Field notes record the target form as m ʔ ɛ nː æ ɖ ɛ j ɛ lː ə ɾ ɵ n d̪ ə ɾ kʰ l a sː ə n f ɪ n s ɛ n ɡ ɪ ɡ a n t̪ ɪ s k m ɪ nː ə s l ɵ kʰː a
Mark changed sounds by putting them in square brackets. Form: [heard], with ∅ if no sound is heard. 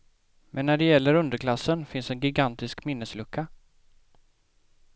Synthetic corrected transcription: m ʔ ɛ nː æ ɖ ɛ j ɛ lː ə ɾ ɵ n d̪ ə ɾ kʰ l a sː ə n f ɪ n s ɛ n ɡ ɪ ɡ a n t̪ ɪ s k m ɪ nː ə s l ɵ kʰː a